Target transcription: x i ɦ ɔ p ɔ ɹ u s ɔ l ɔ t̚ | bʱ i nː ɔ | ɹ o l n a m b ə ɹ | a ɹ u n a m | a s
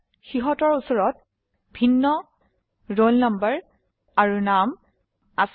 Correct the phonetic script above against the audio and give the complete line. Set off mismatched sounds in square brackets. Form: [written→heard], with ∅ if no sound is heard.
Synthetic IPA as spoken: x i ɦ ɔ [p→t] ɔ ɹ u s ɔ [l→ɹ] ɔ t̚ | bʱ i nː ɔ | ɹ o l n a m b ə ɹ | a ɹ u n a m | a s

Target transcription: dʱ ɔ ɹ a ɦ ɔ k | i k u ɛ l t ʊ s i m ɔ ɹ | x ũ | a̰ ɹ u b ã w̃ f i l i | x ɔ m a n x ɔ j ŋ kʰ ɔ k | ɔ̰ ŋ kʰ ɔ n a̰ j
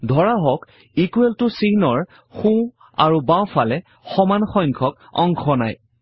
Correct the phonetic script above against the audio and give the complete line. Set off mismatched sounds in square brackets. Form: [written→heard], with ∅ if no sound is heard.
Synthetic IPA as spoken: dʱ ɔ ɹ a ɦ ɔ k | i k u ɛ l t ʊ s i [m→n] ɔ ɹ | x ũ | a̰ ɹ u b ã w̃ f [i→a] l [i→ɛ] | x ɔ m a n x ɔ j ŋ kʰ ɔ k | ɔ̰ ŋ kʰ ɔ n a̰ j

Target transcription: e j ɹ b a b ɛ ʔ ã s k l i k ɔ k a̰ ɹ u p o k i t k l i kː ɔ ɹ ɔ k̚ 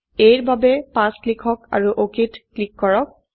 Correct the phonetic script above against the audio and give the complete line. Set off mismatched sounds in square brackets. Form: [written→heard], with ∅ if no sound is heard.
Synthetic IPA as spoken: e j ɹ b a b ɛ [ʔ→p] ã s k l i [k→kʰ] ɔ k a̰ ɹ u [p→ʔ] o k i t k l i kː ɔ ɹ ɔ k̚

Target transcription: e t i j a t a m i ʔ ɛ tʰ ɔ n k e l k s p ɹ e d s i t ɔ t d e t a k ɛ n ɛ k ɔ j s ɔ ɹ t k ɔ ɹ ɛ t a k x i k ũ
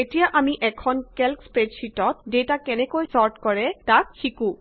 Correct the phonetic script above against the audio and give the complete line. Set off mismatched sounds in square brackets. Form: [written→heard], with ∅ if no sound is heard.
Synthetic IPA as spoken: e t i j a [t→ʔ] a m i ʔ ɛ [tʰ→kʰ] ɔ n k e l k s p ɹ e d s i t ɔ t d e t a k ɛ n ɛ k [ɔ→o] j s ɔ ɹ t k ɔ ɹ ɛ t a k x i k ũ

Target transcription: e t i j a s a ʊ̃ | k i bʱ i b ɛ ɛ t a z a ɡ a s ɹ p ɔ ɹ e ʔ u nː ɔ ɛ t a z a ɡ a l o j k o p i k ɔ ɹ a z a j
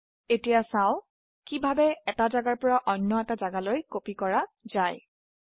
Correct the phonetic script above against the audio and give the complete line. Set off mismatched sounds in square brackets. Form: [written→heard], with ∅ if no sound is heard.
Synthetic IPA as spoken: e t i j a s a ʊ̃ | k i bʱ [i→a] b ɛ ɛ t a z a ɡ a [s→∅] ɹ p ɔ ɹ [e→a] ʔ [u→ɔ] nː ɔ ɛ t a z a ɡ a l o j k o p i k ɔ ɹ a z a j

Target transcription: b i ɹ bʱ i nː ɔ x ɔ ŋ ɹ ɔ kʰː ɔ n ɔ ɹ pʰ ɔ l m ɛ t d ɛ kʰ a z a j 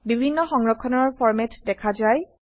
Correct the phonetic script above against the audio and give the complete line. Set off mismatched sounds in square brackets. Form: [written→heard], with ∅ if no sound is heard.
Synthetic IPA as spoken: b i [ɹ→∅] bʱ i nː ɔ x ɔ ŋ ɹ ɔ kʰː ɔ n ɔ ɹ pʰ ɔ [l→ɹ] m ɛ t d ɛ kʰ a z a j

